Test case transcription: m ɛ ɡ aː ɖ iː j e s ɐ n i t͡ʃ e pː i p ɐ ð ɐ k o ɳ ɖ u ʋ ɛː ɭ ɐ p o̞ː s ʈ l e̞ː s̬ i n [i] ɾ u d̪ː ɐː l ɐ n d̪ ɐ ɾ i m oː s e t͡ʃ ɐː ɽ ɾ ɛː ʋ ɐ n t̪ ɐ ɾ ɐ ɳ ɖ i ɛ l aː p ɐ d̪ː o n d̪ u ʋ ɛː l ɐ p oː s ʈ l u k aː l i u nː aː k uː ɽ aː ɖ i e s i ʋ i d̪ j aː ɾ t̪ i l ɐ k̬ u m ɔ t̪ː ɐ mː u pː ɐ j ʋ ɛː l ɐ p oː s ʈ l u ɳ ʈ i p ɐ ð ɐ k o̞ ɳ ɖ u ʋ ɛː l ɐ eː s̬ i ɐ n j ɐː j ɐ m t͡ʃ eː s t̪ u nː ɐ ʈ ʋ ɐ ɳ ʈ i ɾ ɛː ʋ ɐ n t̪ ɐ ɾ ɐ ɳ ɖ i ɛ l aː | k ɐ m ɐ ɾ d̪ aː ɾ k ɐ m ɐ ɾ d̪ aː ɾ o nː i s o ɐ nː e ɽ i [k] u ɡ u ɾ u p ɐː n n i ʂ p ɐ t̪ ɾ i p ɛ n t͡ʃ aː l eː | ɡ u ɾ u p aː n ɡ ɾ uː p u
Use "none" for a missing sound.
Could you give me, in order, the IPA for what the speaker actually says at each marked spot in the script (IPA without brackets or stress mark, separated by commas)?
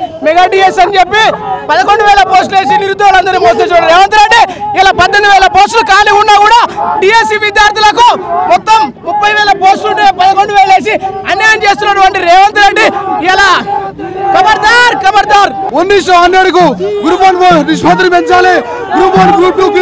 i, k